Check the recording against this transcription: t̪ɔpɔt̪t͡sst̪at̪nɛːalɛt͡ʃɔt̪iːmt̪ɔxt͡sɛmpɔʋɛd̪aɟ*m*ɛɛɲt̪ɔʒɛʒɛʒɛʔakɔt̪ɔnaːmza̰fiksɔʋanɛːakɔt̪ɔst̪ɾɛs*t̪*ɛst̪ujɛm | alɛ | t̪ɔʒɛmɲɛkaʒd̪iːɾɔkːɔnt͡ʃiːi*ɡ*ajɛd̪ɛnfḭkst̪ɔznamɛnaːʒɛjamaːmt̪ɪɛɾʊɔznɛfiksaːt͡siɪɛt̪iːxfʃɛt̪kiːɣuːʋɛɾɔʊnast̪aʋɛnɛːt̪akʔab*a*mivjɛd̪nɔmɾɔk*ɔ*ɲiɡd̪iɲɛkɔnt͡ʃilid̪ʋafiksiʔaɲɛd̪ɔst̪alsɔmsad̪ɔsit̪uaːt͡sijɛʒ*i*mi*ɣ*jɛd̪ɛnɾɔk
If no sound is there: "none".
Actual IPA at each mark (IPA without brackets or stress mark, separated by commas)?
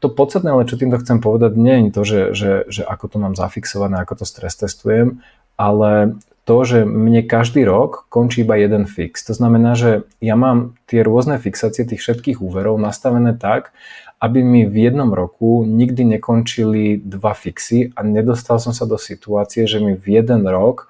ɲ, t̪, b, i, u, ɛ, v